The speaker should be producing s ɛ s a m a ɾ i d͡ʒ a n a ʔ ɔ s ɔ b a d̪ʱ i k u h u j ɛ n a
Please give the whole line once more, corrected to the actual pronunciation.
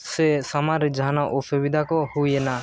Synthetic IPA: s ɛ s a m a ɾ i d͡ʒ a n a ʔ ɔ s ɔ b i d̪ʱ a k ɔ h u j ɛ n a